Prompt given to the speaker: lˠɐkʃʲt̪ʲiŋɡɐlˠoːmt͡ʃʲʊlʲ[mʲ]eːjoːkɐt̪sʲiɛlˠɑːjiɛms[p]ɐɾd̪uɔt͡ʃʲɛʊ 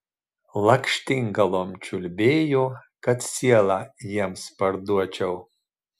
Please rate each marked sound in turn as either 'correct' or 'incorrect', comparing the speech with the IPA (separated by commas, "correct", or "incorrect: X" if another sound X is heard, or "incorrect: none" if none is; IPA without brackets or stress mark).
incorrect: bʲ, correct